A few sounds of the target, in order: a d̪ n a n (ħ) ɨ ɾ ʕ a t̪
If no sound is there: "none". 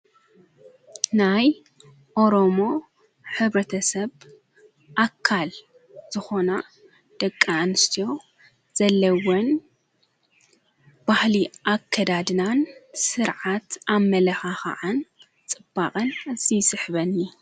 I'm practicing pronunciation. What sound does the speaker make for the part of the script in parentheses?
s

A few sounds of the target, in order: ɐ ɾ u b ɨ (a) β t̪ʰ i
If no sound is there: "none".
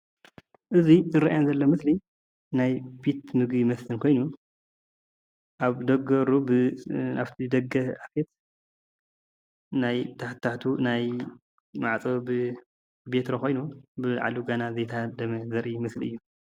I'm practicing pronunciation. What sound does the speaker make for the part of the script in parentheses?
a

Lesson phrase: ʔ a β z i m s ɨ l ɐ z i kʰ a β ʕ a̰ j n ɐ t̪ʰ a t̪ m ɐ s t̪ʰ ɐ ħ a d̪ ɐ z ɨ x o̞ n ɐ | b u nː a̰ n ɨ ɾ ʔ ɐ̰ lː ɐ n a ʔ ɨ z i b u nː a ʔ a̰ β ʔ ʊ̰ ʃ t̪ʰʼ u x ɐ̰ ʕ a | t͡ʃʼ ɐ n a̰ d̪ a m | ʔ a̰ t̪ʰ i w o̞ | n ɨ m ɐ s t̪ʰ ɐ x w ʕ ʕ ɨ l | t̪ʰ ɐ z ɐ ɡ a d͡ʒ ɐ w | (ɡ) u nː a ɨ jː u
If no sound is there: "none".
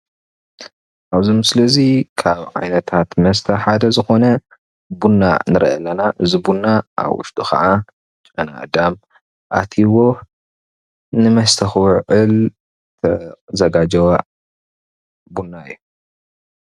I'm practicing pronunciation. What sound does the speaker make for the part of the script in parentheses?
b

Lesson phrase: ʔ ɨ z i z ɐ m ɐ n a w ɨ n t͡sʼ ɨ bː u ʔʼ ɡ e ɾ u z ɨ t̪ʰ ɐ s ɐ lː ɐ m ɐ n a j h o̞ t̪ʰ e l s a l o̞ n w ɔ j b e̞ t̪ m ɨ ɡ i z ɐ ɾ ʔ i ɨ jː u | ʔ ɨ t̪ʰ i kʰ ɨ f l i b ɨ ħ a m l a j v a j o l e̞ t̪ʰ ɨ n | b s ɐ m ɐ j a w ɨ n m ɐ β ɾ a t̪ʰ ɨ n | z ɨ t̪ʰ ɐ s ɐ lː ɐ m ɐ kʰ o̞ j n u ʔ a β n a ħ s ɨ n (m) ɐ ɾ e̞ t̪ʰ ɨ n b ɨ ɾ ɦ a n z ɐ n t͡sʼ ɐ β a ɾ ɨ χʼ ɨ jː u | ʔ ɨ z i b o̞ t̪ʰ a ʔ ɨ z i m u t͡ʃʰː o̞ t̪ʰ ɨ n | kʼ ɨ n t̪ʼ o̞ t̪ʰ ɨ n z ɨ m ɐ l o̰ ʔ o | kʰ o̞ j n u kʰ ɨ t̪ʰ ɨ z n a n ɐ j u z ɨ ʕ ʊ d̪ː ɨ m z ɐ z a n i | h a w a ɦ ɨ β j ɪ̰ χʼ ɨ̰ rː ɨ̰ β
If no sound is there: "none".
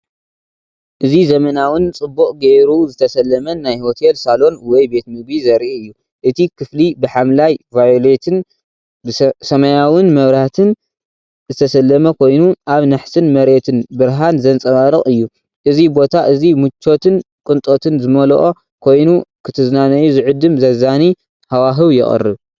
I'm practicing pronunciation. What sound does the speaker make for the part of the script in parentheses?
m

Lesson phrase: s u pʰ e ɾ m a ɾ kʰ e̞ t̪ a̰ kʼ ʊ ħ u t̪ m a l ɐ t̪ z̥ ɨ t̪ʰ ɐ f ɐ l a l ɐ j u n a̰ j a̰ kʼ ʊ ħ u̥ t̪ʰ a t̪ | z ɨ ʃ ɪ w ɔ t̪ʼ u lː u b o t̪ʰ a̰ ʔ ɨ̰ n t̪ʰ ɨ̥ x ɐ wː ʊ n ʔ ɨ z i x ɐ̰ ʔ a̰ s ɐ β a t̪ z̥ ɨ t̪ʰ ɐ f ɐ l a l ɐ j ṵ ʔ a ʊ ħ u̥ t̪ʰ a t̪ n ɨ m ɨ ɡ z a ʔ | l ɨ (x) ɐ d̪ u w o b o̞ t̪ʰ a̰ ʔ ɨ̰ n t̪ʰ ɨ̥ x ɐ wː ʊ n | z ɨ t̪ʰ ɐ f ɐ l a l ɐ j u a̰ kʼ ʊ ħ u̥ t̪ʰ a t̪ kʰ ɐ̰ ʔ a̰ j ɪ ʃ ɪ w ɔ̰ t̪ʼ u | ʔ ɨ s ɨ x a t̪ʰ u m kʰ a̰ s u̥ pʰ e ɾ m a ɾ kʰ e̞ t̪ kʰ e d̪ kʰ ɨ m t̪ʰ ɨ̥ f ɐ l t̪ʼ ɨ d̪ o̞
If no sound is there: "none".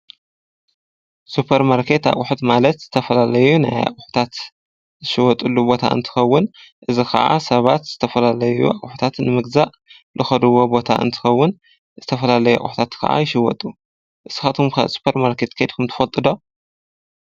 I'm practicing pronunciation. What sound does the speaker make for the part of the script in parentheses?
x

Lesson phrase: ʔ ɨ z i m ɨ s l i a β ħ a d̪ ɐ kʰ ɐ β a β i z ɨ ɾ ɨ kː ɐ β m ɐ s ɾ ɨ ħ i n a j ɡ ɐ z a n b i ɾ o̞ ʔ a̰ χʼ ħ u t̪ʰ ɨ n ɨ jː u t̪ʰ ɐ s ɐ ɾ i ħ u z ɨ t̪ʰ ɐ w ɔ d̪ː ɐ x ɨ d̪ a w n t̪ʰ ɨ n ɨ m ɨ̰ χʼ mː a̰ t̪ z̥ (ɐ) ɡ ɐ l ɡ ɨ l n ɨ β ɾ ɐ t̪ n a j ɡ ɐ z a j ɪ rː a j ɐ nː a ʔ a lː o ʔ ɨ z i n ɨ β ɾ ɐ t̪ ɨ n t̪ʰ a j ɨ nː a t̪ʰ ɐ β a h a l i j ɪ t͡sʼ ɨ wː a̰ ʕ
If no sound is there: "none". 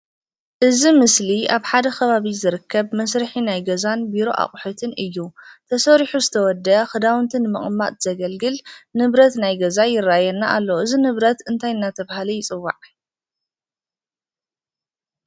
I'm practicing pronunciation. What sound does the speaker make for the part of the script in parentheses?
ɐ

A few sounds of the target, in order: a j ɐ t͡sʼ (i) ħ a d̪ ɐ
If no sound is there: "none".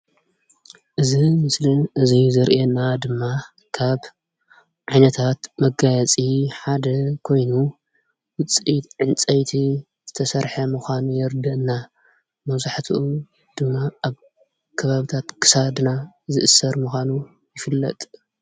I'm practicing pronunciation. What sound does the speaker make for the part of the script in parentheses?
i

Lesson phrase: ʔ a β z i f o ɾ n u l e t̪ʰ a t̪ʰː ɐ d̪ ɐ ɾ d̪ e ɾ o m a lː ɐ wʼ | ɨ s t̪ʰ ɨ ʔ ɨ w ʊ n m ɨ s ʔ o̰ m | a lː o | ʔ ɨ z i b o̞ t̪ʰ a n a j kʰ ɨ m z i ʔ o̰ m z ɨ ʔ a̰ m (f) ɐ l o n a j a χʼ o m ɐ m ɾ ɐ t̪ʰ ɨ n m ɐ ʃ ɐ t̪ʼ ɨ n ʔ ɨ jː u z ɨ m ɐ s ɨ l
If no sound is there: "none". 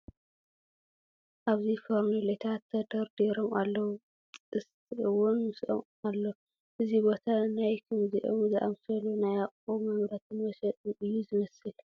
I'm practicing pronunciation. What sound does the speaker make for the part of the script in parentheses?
s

